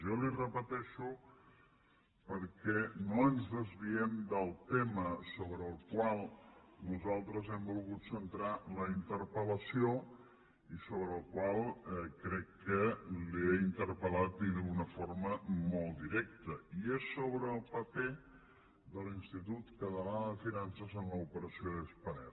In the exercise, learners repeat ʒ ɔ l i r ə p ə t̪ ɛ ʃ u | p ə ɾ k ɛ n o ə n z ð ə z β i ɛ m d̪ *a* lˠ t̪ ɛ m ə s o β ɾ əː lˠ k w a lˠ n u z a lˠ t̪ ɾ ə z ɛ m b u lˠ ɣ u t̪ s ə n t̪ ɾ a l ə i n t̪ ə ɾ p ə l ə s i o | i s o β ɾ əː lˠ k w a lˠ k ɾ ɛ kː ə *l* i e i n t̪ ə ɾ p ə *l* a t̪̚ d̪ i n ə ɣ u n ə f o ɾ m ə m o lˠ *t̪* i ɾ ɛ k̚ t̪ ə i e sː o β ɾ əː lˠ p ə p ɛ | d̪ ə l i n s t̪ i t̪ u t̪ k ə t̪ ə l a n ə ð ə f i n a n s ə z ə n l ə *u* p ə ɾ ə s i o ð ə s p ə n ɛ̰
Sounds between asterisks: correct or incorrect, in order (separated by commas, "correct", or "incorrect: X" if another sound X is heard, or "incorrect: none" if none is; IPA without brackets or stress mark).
incorrect: ə, correct, correct, incorrect: d̪, correct